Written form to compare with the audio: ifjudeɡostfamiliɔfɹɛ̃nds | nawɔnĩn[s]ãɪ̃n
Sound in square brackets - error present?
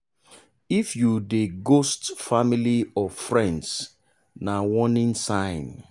no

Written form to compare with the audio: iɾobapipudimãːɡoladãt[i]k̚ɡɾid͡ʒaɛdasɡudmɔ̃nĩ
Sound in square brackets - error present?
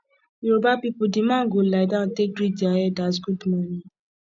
yes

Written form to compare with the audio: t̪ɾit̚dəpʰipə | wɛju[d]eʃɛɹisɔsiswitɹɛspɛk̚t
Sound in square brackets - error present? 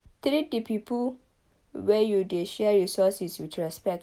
no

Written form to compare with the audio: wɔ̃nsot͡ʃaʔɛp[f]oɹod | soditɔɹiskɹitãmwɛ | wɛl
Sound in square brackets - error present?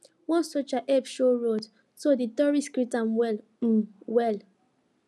yes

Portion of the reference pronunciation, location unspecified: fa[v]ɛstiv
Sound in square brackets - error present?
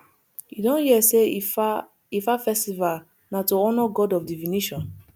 yes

